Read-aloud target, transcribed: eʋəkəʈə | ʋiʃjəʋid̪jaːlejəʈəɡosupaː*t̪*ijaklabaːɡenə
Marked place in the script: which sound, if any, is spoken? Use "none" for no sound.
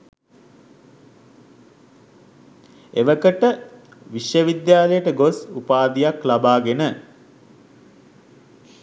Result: d̪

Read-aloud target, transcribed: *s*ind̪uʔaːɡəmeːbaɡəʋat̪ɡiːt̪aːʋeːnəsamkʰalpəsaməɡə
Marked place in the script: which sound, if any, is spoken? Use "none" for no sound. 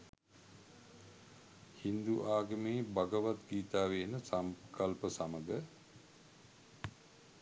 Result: h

